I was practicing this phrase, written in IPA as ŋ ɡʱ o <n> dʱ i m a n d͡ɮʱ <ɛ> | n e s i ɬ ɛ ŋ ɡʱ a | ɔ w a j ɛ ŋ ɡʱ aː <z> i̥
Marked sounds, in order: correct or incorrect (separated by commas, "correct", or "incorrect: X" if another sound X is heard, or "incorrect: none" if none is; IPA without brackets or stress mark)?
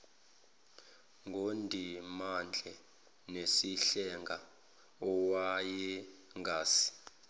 correct, correct, incorrect: s